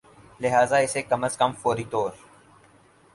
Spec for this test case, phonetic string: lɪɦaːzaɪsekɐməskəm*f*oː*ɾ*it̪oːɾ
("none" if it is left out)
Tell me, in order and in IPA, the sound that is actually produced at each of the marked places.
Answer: f, ɾ

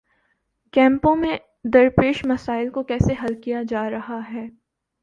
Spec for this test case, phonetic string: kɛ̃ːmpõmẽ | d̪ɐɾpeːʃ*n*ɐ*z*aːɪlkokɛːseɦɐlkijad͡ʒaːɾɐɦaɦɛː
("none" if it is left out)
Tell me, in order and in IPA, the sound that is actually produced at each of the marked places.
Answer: m, s

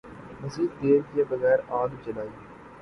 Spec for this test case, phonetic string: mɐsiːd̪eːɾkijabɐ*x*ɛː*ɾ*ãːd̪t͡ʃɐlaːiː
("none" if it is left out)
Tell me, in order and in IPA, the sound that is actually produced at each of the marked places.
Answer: ɣ, ɾ

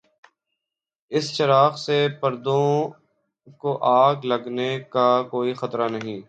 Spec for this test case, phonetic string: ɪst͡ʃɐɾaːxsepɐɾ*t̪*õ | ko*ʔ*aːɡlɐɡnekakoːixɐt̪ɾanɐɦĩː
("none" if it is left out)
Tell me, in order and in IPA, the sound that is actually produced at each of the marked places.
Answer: d̪, ʔ

